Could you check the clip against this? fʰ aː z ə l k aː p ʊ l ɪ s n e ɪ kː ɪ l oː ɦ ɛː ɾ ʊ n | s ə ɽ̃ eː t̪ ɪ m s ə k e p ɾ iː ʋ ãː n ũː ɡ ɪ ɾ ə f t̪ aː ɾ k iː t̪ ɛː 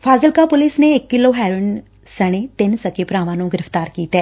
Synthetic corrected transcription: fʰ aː z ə l k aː p ʊ l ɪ s n e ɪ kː ɪ l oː ɦ ɛː ɾ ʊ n | s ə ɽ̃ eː t̪ ɪ n s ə k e p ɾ aː ʋ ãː n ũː ɡ ɪ ɾ ə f t̪ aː ɾ k iː t̪ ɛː

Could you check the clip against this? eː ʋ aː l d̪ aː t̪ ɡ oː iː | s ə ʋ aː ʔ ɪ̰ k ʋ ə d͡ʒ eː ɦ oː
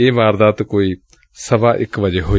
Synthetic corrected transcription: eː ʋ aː ɾ d̪ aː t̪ k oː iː | s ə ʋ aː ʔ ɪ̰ k ʋ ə d͡ʒ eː ɦ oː

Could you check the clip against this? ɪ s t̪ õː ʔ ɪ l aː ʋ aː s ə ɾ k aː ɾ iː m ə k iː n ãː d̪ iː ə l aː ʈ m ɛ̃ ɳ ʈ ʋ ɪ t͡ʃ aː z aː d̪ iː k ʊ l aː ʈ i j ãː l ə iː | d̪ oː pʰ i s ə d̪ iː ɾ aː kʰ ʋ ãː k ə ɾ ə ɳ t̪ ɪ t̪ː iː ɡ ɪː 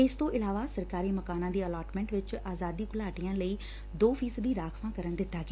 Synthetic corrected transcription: ɪ s t̪ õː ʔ ɪ l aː ʋ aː s ə ɾ k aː ɾ iː m ə k aː n ãː d̪ iː ə l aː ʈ m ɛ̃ ɳ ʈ ʋ ɪ t͡ʃ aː z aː d̪ iː k ʊ l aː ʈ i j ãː l ə iː | d̪ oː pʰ iː s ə d̪ iː ɾ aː kʰ ʋ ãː k ə ɾ ə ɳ d̪ ɪ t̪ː aː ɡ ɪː

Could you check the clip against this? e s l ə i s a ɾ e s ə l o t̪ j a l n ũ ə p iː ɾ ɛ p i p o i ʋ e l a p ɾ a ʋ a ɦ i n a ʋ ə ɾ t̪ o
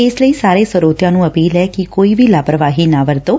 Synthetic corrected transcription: e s l ə i s a ɾ e s ə ɾ o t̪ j a n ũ ə p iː l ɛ k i k o i ʋ i l a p ɾ ə ʋ a ɦ i n a ʋ ə ɾ t̪ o

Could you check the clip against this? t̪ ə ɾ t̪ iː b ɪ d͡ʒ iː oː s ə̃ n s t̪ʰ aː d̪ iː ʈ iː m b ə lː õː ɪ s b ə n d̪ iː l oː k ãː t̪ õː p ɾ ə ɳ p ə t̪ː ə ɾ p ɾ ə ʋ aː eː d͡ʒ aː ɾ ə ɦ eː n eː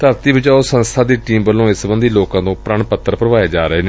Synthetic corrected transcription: t̪ ə ɾ t̪ iː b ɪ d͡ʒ aː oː s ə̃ n s t̪ʰ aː d̪ iː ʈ iː m b ə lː õː ɪ s b ə n d̪ iː l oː k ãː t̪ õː p ɾ ə ɳ p ə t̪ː ə ɾ p ɾ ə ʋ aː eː d͡ʒ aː ɾ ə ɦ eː n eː

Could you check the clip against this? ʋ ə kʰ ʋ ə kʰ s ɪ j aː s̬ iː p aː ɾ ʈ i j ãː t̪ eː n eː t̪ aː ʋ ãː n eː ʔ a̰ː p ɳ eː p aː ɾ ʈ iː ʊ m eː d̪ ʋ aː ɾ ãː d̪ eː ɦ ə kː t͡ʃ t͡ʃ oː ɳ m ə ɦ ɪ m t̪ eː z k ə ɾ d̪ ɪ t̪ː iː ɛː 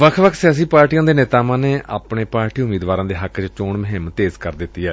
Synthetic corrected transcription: ʋ ə kʰ ʋ ə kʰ s ɪ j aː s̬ iː p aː ɾ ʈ i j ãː d̪ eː n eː t̪ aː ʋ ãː n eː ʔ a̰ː p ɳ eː p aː ɾ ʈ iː ʊ m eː d̪ ʋ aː ɾ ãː d̪ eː ɦ ə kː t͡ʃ t͡ʃ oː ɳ m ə ɦ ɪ m t̪ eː z k ə ɾ d̪ ɪ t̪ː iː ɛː

